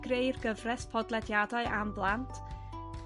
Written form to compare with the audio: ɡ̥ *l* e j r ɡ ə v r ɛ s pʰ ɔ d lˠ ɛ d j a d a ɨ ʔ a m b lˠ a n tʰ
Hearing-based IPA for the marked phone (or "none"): r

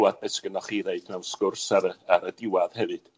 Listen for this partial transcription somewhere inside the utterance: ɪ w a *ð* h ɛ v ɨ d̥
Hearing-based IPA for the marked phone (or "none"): ð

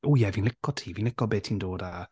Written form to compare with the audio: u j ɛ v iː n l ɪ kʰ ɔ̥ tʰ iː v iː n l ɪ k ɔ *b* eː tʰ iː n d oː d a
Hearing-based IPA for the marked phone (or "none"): b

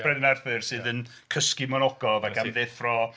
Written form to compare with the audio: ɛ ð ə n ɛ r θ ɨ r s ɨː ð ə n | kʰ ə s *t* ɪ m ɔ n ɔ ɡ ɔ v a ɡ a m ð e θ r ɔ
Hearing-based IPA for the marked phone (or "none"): k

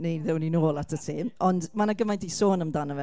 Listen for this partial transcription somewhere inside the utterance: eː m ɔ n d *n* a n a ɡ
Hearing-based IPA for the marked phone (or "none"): m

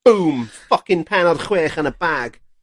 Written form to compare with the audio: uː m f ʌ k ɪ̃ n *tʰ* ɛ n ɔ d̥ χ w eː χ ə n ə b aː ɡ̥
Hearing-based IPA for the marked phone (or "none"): pʰ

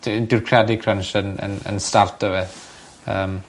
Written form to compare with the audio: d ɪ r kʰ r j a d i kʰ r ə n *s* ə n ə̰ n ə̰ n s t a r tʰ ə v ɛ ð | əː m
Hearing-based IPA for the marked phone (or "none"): ʃ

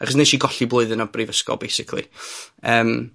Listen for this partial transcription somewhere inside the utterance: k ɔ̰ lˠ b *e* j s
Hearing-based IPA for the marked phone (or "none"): e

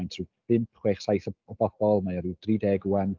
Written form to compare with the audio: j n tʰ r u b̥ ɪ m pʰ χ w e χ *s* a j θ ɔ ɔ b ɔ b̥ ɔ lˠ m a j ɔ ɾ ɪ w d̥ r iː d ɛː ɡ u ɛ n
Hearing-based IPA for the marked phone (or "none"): s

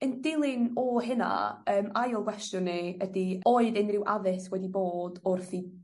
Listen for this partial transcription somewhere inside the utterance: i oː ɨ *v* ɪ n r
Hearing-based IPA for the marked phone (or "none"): ð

